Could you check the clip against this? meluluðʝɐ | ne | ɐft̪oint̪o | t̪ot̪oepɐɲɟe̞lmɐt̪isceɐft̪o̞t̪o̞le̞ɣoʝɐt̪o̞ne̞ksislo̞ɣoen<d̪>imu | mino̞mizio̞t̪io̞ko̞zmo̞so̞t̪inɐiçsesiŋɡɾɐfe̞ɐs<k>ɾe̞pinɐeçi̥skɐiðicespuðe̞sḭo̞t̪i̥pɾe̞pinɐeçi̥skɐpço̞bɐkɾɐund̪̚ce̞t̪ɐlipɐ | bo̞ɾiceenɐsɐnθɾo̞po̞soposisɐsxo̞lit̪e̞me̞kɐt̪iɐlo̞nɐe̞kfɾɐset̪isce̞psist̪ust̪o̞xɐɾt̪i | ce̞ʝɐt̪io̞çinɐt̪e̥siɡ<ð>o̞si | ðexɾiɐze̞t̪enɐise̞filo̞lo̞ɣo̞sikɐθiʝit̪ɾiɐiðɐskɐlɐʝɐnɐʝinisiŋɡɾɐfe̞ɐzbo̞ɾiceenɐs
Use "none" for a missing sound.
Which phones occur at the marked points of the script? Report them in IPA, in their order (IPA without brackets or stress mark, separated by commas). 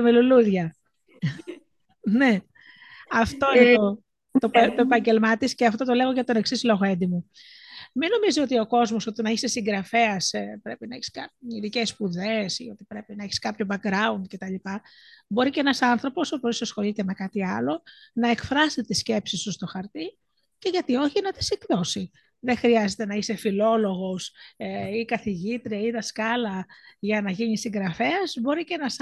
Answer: d̪, p, ð